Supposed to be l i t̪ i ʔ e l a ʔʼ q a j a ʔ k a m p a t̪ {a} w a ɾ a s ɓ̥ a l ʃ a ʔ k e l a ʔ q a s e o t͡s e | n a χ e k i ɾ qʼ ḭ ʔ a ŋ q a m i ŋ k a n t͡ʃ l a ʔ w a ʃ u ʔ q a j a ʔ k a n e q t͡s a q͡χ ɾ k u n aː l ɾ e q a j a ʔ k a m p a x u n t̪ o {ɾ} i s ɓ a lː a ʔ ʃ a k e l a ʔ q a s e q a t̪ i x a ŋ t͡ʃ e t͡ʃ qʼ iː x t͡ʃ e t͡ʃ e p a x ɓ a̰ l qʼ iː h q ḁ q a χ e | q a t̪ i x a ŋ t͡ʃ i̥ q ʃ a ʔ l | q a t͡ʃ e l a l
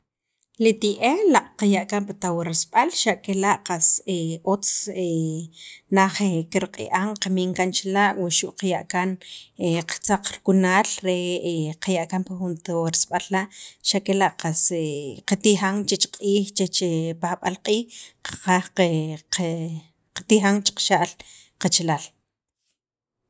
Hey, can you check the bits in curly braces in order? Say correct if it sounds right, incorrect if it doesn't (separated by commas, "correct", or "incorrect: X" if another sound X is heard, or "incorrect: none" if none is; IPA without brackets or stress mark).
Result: correct, correct